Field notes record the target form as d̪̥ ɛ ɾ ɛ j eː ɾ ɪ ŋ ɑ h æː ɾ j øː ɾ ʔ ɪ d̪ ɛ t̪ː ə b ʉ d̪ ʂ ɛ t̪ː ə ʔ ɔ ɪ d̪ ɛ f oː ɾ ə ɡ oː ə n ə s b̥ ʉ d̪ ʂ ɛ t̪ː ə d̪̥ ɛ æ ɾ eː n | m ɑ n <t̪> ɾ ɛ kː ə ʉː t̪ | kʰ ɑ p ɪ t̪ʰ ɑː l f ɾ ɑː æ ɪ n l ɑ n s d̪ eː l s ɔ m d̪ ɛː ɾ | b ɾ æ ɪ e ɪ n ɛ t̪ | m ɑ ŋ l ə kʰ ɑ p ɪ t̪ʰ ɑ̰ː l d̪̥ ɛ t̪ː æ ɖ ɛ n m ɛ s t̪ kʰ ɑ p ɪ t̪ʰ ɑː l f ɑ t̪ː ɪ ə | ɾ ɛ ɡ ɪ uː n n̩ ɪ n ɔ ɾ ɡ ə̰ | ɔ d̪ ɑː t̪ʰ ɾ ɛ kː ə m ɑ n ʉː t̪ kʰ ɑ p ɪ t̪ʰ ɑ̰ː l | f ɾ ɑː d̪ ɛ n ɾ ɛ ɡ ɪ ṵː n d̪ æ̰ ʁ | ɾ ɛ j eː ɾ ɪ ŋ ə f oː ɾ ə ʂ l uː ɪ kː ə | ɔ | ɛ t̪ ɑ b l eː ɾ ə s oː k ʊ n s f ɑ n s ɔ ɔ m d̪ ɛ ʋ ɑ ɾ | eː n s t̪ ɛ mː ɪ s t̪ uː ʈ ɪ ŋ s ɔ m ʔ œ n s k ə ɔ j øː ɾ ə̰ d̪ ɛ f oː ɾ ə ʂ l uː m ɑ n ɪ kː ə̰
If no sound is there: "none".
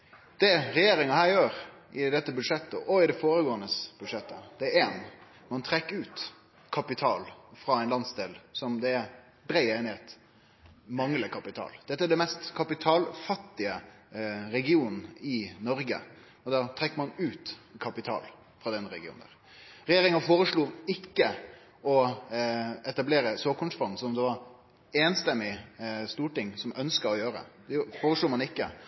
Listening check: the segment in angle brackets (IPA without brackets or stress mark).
t̪ʰ